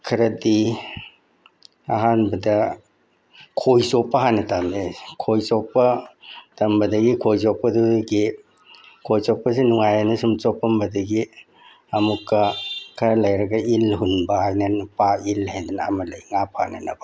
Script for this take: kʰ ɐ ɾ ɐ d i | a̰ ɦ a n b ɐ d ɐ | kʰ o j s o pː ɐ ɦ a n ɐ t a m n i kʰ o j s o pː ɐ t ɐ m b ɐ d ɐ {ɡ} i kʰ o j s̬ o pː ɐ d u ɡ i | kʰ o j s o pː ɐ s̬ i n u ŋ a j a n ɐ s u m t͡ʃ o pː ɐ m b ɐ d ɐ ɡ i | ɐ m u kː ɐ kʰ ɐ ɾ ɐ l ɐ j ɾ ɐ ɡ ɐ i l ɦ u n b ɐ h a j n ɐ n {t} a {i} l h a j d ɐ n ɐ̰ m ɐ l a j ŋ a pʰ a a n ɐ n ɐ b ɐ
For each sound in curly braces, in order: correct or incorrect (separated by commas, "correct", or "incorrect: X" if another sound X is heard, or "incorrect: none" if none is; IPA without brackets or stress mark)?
correct, incorrect: p, correct